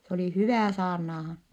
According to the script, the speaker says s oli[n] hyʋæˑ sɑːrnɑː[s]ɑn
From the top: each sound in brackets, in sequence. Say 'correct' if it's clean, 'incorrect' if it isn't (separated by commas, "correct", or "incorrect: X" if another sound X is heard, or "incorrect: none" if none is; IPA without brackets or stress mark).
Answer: incorrect: none, incorrect: h